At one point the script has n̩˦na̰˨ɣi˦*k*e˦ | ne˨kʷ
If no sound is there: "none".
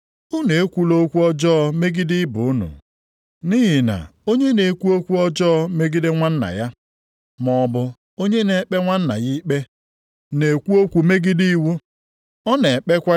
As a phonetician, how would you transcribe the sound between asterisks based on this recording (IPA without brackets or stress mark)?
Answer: k͡p